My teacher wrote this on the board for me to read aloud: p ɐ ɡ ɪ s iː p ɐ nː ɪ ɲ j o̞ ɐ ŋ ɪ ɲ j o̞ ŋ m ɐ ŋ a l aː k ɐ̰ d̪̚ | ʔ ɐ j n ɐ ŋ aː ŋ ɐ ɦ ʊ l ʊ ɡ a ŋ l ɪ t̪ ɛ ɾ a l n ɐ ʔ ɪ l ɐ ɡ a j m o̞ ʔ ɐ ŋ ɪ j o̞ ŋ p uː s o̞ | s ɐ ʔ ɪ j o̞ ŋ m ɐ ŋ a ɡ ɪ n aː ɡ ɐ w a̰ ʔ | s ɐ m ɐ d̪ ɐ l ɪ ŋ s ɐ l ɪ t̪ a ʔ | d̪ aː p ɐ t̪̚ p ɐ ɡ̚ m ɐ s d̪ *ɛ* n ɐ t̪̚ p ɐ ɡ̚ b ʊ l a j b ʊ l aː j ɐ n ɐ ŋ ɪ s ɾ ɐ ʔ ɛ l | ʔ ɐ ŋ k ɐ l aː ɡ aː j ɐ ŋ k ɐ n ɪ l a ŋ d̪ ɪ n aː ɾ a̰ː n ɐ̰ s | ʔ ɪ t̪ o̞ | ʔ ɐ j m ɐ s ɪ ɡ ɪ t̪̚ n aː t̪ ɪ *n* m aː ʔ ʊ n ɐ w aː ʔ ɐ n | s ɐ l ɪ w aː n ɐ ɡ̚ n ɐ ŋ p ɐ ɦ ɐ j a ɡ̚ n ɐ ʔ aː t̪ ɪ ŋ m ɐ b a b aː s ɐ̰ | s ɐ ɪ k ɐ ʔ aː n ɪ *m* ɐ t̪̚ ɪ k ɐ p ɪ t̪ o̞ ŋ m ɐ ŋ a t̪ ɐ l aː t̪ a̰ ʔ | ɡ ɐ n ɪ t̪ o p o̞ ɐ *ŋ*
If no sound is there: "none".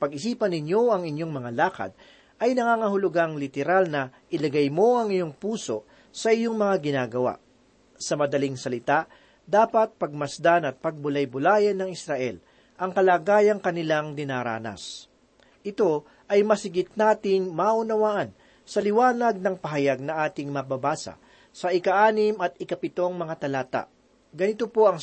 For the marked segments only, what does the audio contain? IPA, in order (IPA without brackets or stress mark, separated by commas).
a, ŋ, m, ŋ